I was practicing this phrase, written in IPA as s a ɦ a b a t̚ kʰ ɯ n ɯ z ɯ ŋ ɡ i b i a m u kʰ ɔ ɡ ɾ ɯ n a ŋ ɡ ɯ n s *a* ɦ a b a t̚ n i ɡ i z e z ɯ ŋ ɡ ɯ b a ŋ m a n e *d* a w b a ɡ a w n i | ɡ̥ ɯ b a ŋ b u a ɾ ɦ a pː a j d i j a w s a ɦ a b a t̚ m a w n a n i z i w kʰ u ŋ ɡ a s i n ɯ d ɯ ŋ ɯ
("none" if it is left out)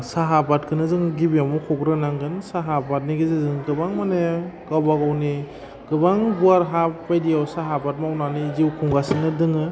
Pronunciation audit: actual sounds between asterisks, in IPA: a, ɡ

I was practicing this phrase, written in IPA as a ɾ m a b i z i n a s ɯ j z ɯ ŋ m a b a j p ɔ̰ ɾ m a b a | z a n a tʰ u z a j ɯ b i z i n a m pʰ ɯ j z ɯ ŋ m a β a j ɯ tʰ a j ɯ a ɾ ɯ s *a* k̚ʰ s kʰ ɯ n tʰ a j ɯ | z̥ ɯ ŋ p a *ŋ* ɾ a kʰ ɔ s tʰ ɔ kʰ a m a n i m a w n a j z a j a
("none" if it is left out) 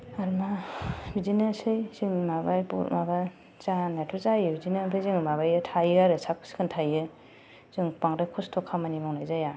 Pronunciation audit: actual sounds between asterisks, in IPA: a, ŋ

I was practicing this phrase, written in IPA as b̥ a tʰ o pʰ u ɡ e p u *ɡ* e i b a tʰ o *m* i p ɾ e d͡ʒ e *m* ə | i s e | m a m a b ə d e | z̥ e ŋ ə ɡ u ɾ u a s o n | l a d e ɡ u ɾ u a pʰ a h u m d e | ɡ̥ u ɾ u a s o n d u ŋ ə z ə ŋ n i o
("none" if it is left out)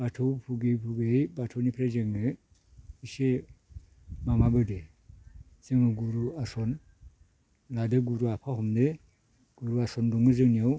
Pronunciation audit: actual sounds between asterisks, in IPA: ɡ, n, ŋ

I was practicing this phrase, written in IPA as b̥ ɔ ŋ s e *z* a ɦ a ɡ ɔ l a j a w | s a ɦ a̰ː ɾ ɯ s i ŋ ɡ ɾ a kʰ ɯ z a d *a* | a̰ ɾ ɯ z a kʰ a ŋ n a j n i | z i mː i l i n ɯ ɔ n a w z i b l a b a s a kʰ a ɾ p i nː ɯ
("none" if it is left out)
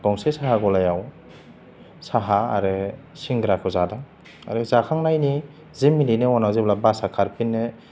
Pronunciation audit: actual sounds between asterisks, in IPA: s, a

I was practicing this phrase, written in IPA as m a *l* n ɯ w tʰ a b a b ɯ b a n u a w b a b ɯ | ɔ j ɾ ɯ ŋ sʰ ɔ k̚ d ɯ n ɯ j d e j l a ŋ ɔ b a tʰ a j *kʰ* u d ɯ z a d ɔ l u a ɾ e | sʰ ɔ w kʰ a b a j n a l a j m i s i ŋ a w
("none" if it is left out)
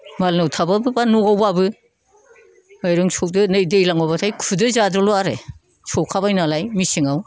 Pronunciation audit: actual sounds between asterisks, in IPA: l, kʰ

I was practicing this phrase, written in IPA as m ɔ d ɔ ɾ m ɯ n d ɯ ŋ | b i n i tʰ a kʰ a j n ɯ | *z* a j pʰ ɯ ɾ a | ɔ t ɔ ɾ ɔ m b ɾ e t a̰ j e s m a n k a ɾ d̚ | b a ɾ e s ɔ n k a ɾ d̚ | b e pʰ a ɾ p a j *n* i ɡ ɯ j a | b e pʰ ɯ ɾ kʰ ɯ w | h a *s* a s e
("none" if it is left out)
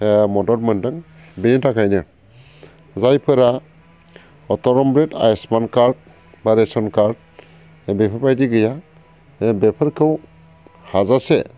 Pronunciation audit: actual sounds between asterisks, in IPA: z, d, z

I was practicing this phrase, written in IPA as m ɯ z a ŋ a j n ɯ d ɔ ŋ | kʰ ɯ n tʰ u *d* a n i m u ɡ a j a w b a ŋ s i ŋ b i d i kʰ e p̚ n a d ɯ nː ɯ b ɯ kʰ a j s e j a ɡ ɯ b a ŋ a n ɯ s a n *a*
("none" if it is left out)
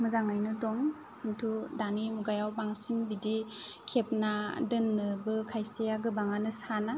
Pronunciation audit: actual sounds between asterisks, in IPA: d, a

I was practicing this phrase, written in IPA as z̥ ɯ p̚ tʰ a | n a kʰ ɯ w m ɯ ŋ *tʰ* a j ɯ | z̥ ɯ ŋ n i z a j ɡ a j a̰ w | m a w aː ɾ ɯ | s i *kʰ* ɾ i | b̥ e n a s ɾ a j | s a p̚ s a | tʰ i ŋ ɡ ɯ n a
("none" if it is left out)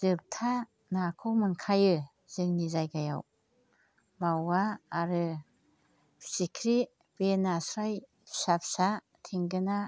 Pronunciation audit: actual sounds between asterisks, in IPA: kʰ, kʰ

